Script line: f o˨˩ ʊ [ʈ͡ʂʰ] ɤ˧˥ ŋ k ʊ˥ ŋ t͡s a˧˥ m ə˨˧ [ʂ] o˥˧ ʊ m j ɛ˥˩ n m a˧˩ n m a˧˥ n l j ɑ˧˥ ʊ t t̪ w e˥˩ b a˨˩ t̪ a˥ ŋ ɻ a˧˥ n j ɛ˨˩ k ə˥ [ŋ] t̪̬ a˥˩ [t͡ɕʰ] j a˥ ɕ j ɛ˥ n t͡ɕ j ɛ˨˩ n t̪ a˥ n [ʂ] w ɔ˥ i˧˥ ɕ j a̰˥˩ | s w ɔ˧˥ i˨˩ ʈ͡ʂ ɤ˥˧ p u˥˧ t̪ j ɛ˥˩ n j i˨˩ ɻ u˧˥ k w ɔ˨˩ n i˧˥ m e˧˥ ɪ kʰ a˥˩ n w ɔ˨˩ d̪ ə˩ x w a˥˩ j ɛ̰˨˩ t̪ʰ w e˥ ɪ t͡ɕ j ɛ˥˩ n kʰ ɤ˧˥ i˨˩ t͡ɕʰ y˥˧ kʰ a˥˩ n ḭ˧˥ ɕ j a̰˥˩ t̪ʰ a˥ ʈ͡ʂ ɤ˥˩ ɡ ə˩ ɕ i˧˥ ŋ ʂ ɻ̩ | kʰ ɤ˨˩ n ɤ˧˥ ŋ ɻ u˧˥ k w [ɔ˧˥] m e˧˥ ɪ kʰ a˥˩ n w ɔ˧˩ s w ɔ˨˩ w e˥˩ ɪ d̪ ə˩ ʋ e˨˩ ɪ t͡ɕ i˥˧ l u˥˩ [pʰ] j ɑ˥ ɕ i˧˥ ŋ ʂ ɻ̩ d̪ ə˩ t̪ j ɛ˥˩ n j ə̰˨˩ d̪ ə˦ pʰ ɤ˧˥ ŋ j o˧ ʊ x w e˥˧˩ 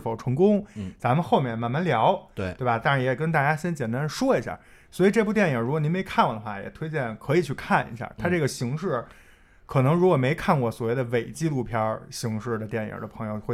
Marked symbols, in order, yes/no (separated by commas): yes, no, no, no, yes, no, yes